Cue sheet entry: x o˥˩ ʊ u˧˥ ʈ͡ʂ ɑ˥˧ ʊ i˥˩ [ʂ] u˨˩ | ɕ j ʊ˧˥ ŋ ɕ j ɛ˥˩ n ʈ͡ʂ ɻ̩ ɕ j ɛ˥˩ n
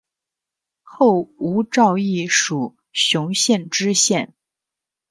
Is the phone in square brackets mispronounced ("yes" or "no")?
no